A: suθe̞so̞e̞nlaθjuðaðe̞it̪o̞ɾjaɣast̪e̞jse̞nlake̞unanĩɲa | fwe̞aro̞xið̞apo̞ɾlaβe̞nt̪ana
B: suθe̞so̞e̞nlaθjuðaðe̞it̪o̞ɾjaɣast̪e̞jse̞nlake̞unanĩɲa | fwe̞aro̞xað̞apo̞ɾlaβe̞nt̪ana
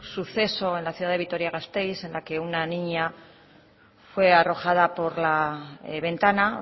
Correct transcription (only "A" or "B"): B